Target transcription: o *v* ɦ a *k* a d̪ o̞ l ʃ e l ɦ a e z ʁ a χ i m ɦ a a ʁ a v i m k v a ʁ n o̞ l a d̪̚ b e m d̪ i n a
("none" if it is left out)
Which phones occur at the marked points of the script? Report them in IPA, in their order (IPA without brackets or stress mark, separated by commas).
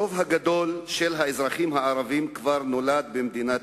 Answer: v, ɡ